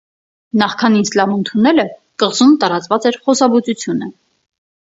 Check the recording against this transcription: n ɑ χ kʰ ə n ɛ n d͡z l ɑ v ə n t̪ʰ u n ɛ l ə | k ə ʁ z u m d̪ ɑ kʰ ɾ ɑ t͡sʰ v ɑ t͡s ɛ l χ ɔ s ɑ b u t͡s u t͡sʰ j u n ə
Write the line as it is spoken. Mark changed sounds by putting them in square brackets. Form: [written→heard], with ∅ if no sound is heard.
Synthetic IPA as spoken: n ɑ χ kʰ [ə→ɑ] n [ɛ→i] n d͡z l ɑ v ə n t̪ʰ u n ɛ l ə | k ə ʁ z u m [d̪→t̪] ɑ [kʰ→∅] ɾ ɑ [t͡sʰ→t͡s] v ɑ t͡s ɛ [l→ɾ] χ ɔ s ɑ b u t͡s u t͡sʰ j u n ə